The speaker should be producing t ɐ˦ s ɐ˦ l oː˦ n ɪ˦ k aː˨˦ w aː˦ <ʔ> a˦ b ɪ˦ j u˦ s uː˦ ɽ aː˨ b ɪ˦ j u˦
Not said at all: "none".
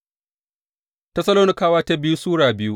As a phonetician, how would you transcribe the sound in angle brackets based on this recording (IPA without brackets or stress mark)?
t